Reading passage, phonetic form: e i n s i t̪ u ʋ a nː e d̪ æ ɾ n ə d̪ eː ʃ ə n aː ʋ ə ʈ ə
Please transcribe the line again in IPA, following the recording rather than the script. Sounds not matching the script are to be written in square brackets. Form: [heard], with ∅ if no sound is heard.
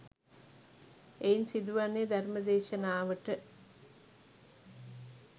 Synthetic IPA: e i n s i [d̪] u ʋ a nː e d̪ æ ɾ [m] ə d̪ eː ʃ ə n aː ʋ ə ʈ ə

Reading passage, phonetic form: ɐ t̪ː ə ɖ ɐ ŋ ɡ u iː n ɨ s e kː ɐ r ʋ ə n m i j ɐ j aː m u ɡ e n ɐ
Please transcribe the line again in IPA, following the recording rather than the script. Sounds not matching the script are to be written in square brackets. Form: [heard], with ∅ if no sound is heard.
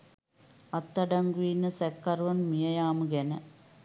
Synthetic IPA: ɐ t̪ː [ɐ] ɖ ɐ ŋ ɡ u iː n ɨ s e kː ɐ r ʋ [ɐ] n m i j ɐ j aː m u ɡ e n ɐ

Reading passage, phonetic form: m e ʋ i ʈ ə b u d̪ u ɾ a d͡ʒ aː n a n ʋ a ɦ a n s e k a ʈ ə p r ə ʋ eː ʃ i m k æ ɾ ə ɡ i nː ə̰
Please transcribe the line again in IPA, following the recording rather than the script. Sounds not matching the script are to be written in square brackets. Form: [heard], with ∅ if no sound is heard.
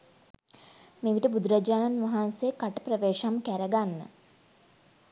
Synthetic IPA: m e ʋ i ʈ ə b u d̪ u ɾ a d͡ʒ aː n a n ʋ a ɦ a n s e k a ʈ ə p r ə ʋ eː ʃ [a] m k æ ɾ ə ɡ [a] nː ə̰

